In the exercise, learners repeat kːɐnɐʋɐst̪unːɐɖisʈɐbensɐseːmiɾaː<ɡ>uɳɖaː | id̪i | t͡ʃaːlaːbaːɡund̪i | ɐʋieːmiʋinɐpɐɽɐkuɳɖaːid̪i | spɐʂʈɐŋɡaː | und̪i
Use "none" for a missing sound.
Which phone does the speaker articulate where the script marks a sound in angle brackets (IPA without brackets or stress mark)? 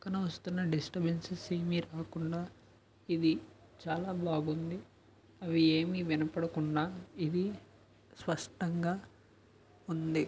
k